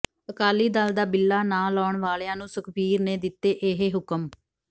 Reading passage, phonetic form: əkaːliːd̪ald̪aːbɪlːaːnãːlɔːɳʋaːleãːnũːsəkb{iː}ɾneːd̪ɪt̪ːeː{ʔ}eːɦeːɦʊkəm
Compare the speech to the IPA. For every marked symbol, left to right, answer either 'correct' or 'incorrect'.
correct, correct

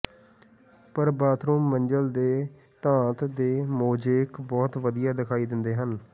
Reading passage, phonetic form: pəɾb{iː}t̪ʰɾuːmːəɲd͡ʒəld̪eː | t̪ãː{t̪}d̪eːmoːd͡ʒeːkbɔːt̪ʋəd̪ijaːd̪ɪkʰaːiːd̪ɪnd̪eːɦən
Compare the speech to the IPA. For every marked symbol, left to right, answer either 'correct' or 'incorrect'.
incorrect: aː, correct

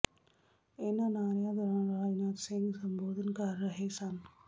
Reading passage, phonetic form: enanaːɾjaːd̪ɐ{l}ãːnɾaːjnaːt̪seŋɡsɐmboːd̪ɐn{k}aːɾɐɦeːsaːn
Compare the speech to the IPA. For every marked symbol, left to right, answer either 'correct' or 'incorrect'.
incorrect: ɾ, correct

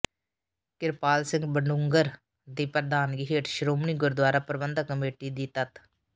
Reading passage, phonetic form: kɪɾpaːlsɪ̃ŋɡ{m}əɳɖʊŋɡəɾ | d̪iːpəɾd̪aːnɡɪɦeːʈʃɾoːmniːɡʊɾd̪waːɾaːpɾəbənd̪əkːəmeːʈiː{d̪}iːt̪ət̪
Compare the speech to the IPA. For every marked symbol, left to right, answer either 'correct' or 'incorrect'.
incorrect: b, correct

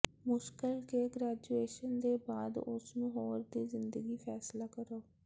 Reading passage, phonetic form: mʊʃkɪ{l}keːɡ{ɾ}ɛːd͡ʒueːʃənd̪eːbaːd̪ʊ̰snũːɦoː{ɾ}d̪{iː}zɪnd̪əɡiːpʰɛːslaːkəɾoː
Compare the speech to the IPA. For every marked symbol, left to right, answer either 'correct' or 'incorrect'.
correct, correct, correct, correct

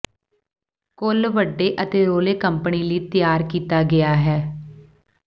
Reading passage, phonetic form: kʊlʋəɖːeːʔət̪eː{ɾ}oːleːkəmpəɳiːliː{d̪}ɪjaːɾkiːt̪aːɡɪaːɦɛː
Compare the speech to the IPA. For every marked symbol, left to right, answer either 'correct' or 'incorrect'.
correct, incorrect: t̪

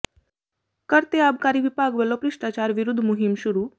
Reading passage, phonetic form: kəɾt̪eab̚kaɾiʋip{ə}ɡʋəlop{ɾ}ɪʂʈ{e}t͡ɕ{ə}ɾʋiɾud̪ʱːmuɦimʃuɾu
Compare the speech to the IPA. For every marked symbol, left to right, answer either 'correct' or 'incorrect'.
incorrect: a, correct, incorrect: a, incorrect: a

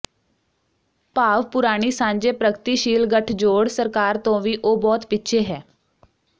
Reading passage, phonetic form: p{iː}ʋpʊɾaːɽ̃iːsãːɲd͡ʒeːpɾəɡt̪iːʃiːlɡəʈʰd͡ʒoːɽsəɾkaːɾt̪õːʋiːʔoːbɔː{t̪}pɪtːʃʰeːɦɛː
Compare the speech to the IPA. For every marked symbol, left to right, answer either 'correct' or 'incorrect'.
incorrect: aː, correct

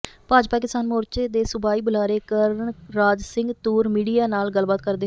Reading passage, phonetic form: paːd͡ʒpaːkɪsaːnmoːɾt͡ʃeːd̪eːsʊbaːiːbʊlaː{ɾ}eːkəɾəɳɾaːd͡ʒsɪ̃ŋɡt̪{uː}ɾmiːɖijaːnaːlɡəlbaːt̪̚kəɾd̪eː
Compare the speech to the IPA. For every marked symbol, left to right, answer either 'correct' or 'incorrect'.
correct, correct

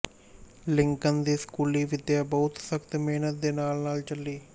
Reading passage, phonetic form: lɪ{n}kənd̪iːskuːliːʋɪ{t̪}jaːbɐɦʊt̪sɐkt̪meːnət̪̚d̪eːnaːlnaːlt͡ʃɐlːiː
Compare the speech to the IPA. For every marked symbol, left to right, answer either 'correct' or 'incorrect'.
incorrect: ŋ, incorrect: d̪

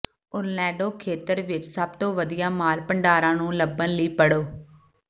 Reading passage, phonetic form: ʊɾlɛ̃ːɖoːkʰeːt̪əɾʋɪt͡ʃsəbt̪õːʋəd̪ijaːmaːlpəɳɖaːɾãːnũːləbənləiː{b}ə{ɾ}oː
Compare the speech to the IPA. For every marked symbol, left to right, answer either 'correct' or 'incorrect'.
incorrect: p, incorrect: ɽ

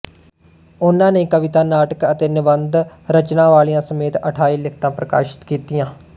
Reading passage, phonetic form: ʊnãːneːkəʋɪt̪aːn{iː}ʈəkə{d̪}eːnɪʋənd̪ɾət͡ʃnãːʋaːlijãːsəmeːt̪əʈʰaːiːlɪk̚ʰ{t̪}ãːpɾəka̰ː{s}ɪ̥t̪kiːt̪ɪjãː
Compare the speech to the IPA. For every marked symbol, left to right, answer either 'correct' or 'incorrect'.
incorrect: aː, incorrect: t̪, correct, incorrect: ʃ

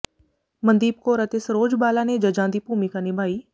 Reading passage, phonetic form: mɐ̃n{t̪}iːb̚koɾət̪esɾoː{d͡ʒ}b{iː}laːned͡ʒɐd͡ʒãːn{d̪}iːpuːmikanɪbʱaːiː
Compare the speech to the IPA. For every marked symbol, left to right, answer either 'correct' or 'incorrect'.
incorrect: d̪, correct, incorrect: aː, correct

